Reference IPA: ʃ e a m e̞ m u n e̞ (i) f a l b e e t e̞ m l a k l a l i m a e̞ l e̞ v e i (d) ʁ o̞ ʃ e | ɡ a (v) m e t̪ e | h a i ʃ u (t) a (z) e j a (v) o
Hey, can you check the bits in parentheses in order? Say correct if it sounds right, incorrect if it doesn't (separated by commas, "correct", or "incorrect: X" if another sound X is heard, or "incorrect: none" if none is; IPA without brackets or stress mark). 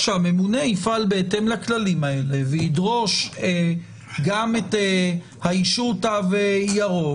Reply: correct, correct, incorrect: none, correct, incorrect: v, incorrect: ʁ